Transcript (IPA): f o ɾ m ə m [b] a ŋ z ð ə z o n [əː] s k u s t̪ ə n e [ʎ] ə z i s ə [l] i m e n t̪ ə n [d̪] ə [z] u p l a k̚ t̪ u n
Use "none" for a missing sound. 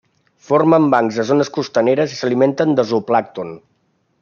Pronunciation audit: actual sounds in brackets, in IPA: b, ə, ɾ, l, d̪, z

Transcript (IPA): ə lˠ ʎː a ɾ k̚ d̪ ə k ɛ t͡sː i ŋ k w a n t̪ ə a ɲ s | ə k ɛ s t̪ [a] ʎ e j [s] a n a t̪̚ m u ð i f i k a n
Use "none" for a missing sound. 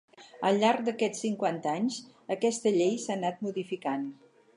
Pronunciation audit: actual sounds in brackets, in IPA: ə, s

